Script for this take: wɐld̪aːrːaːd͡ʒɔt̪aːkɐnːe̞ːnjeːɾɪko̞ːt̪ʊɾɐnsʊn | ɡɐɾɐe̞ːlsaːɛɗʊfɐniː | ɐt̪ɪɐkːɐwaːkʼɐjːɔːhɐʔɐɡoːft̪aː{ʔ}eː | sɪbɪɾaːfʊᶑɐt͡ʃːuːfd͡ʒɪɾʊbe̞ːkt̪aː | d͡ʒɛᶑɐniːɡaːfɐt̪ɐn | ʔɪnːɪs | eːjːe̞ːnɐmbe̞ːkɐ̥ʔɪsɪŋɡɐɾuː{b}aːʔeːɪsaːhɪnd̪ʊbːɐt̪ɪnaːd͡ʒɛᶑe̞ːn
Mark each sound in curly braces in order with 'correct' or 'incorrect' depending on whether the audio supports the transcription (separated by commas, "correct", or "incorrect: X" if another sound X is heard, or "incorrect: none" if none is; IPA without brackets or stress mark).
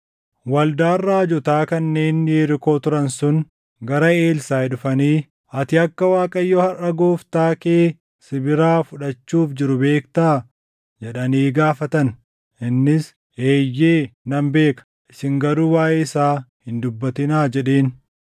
incorrect: k, incorrect: w